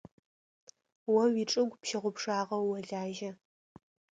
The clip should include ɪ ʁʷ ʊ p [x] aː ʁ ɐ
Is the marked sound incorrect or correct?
incorrect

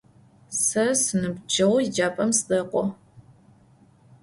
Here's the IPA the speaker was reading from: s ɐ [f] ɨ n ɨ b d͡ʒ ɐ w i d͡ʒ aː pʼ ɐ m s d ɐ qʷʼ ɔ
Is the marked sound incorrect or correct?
incorrect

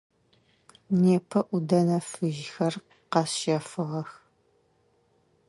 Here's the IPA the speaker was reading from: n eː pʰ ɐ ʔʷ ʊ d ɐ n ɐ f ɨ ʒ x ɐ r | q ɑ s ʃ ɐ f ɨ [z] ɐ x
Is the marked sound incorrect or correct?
incorrect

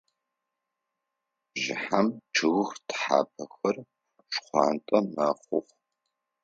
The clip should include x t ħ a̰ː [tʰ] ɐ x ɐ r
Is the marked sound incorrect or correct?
incorrect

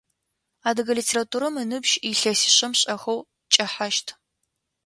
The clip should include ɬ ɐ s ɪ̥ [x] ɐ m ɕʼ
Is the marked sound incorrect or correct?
incorrect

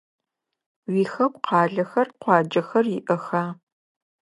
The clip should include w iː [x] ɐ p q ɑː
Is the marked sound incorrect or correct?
correct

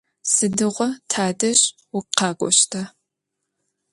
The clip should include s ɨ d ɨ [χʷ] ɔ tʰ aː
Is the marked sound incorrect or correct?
incorrect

